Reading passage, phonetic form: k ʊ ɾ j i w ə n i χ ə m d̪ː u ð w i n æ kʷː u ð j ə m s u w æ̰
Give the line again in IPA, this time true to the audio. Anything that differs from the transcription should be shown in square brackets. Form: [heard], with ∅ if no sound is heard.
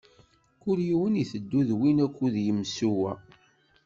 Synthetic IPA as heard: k ʊ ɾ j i w ə n i [θ] ə [∅] d̪ː u ð w i n æ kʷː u ð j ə m s u w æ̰